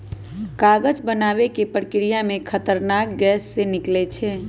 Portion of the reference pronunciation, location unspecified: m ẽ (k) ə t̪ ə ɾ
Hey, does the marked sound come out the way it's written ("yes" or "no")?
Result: no